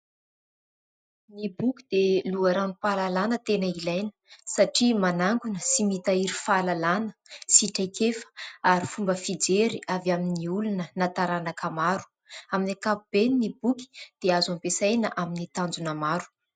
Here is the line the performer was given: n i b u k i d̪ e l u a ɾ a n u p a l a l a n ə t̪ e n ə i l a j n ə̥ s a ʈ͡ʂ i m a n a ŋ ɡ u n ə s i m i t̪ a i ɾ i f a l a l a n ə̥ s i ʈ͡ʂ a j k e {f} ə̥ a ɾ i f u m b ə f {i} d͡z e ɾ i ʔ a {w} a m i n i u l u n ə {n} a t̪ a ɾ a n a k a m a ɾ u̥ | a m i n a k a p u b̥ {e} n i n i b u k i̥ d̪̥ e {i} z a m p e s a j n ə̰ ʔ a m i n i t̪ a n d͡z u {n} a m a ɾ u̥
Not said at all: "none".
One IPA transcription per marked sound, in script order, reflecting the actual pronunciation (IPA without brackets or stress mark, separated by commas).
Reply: f, i, v, n, e, a, n